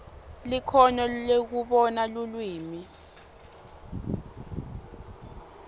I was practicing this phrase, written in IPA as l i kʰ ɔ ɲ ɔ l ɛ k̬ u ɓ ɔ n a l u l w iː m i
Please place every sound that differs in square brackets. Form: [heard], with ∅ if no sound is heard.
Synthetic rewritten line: l i kʰ ɔ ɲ ɔ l [e] k̬ u ɓ ɔ n a l u l w iː m i